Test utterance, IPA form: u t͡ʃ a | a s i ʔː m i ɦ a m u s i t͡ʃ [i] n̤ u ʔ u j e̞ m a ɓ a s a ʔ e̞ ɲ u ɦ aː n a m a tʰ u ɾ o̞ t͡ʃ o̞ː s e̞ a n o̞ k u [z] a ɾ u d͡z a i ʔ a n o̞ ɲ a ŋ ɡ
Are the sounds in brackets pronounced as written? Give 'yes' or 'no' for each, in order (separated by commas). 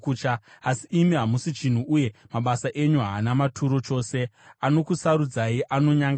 yes, no